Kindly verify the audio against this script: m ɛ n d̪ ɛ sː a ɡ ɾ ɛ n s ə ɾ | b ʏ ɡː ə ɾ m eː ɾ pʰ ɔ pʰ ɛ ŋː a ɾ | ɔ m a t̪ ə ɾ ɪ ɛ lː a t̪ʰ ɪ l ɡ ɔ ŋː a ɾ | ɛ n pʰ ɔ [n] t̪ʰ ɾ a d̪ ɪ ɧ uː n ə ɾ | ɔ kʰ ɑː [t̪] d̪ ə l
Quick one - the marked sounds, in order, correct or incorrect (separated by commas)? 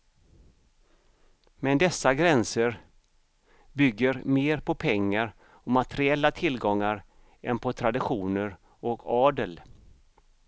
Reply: incorrect, incorrect